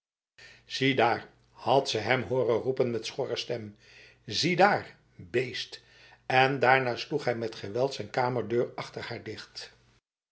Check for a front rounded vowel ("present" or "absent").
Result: present